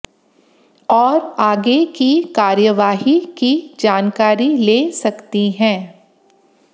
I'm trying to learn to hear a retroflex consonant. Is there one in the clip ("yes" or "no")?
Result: no